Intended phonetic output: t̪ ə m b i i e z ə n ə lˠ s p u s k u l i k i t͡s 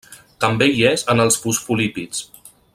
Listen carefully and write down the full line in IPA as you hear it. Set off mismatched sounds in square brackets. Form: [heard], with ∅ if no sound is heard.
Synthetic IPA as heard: t̪ ə m b [e] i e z ə n ə lˠ s p u s [p] u l i [p] i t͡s